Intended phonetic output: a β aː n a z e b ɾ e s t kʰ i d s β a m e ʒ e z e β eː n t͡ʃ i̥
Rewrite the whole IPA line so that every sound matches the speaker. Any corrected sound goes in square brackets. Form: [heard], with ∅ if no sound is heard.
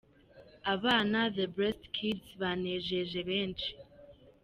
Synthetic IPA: a β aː n a [ð] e b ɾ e s t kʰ i d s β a [n] e ʒ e [ʒ] e β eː n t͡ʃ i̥